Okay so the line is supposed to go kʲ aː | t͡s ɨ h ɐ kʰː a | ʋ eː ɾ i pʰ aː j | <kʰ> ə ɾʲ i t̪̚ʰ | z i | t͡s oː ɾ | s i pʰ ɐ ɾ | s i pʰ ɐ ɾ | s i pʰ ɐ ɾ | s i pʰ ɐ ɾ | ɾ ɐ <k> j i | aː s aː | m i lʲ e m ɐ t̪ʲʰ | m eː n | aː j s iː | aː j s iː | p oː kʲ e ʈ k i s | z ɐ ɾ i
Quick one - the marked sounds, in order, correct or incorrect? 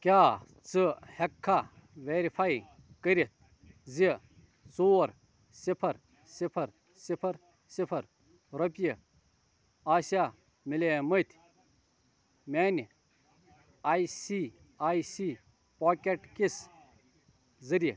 incorrect, incorrect

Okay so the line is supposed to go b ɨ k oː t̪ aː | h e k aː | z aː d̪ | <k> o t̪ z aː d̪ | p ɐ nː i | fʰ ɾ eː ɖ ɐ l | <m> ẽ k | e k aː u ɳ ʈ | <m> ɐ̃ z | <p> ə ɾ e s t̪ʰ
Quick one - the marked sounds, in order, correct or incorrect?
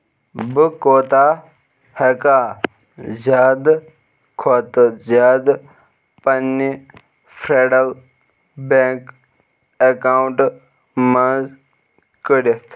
incorrect, incorrect, correct, incorrect

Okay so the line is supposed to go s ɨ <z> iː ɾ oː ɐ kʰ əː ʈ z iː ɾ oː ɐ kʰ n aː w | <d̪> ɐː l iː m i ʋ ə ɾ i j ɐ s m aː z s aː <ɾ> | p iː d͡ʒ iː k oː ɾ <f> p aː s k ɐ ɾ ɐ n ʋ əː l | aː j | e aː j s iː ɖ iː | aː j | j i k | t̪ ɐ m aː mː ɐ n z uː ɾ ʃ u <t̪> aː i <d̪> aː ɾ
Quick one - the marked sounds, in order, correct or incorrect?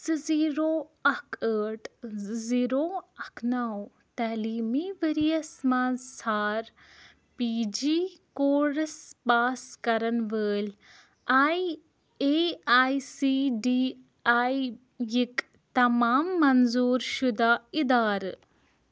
correct, incorrect, correct, incorrect, incorrect, correct

